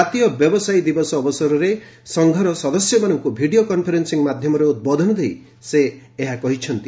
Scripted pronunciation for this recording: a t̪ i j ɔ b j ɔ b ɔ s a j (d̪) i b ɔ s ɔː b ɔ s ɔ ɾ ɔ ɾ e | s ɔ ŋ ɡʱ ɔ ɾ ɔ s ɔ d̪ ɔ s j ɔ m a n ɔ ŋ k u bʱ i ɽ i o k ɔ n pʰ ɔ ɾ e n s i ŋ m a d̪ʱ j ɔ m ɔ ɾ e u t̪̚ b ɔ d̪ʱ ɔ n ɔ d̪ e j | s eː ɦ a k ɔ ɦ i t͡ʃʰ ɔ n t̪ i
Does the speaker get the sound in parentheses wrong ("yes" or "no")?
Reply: no